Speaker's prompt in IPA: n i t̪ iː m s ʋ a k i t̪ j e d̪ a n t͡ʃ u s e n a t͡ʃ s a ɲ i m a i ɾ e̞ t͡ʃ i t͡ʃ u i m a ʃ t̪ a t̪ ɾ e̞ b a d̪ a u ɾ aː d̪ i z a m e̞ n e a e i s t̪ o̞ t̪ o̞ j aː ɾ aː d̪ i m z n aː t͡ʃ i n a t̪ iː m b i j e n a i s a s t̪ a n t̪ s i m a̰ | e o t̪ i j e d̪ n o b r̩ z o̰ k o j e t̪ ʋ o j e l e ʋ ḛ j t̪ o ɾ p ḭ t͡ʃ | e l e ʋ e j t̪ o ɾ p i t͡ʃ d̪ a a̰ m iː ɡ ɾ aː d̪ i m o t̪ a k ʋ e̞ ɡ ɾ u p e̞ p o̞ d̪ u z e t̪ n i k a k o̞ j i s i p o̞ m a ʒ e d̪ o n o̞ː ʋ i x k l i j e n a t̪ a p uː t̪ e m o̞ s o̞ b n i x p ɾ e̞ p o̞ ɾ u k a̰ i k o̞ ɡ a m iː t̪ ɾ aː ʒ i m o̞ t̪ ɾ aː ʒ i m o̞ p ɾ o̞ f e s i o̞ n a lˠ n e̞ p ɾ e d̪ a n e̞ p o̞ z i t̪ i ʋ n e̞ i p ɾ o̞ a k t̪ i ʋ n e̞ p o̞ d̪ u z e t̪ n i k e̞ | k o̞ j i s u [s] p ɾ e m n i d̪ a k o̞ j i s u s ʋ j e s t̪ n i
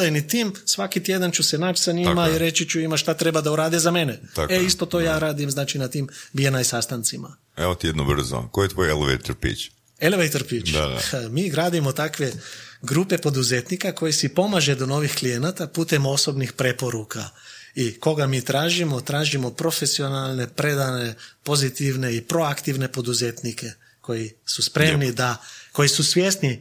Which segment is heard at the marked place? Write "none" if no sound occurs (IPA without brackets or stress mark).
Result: s